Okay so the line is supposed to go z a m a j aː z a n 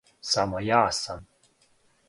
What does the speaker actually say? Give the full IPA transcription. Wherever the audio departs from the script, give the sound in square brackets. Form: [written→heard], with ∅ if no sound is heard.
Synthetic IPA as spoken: [z→s] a m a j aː [z→s] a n